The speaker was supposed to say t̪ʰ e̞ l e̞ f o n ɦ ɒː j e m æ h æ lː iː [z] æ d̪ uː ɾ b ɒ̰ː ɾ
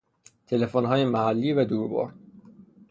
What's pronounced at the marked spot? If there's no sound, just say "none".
v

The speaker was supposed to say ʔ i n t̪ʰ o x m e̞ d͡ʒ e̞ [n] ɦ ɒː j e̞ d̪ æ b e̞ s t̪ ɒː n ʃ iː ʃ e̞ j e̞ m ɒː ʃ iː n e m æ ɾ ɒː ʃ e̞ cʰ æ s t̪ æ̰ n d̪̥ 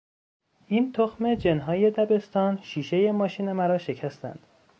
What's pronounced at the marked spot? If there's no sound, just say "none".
n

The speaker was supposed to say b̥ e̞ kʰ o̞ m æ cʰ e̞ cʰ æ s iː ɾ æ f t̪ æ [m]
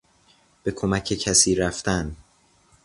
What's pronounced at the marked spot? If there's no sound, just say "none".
n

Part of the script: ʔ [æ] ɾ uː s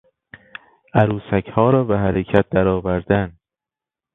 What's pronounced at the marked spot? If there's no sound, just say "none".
æ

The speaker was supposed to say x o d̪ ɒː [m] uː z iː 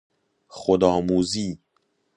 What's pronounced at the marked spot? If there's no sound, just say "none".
m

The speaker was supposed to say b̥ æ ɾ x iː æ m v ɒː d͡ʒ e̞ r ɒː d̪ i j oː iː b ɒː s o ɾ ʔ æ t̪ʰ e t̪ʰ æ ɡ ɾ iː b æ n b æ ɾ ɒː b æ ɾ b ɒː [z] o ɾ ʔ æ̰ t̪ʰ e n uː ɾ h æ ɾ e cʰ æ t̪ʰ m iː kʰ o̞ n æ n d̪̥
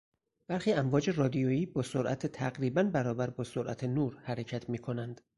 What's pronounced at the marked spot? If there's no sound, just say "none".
s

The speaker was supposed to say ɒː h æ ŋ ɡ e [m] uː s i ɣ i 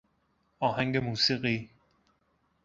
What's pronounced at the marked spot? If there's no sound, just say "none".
m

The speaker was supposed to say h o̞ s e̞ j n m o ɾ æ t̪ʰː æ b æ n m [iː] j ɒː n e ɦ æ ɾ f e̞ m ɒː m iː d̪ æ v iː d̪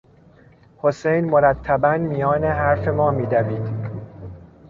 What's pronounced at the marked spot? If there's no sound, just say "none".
i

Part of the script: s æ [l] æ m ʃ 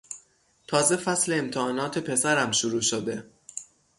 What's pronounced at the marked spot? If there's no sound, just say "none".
ɾ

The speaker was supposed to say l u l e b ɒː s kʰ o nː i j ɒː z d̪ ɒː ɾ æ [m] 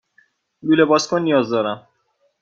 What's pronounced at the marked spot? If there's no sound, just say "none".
m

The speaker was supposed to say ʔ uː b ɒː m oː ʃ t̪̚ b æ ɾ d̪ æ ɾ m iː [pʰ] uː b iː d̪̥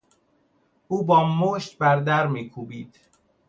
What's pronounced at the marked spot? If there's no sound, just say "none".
kʰ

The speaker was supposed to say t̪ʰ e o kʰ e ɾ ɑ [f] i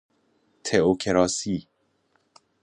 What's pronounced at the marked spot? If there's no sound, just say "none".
s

